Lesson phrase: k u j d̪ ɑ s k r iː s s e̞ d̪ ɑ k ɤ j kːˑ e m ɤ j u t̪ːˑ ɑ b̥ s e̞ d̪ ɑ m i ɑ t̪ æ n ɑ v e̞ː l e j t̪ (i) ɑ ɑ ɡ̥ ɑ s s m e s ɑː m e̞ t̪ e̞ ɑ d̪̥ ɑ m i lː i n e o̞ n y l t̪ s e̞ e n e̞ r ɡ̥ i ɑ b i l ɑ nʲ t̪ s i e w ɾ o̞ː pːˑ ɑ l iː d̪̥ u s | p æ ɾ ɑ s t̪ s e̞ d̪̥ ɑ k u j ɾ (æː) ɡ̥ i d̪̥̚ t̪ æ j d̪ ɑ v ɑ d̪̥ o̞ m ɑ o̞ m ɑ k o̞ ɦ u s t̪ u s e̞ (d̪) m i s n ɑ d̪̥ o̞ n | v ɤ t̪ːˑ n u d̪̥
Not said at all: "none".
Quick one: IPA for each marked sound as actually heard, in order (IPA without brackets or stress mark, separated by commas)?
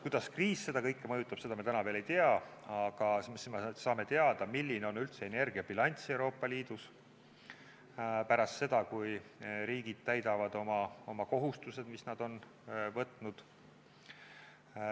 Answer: e, iː, d̪